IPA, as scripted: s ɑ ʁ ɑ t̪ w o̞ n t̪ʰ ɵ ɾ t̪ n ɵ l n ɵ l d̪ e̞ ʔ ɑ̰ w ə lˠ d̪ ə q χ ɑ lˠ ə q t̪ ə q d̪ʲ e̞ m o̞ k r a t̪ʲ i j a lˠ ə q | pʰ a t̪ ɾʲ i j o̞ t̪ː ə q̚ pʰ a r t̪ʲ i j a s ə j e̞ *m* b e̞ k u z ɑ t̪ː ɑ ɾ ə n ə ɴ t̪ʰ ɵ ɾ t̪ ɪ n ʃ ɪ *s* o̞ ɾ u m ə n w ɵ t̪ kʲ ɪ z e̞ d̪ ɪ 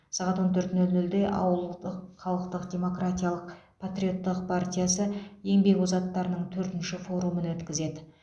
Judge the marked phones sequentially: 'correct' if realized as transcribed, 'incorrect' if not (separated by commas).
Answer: incorrect, incorrect